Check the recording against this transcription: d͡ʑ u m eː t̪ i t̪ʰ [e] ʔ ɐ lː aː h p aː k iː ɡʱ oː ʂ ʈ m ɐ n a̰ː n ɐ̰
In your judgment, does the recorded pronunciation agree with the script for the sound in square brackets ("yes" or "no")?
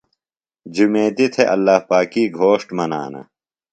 yes